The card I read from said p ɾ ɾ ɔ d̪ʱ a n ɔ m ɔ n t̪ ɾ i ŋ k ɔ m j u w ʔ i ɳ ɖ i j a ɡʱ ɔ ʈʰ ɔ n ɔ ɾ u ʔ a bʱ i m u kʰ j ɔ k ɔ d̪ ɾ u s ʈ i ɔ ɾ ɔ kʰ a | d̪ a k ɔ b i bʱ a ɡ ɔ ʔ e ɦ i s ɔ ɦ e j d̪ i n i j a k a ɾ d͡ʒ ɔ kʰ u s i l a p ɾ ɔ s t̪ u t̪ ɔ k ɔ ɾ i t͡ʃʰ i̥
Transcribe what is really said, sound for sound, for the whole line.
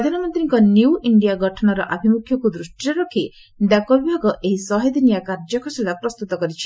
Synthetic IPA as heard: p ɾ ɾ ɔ d̪ʱ a n ɔ m ɔ n t̪ ɾ i ŋ k ɔ n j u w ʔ i ɳ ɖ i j a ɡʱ ɔ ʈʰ ɔ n ɔ ɾ ɔ ʔ a bʱ i m u kʰ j ɔ k u d̪ ɾ u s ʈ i ɔ ɾ ɔ kʰ i | d̪ a k ɔ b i bʱ a ɡ ɔ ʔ e ɦ i s ɔ ɦ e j d̪ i n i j a k a ɾ d͡ʒ ɔ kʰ ɔ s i l a p ɾ ɔ s t̪ u t̪ ɔ k ɔ ɾ i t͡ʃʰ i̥